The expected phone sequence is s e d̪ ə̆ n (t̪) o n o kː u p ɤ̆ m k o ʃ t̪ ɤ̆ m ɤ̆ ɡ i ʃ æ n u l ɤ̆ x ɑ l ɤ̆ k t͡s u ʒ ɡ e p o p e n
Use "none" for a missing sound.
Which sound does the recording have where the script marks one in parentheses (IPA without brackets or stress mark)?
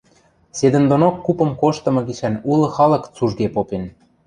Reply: d̪